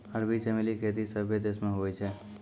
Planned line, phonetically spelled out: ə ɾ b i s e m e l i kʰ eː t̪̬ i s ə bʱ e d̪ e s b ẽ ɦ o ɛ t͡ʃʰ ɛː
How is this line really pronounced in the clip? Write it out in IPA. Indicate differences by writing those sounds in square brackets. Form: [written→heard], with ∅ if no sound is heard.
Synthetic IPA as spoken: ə ɾ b i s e m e l i kʰ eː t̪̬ i s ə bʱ e d̪ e s [b→m] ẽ ɦ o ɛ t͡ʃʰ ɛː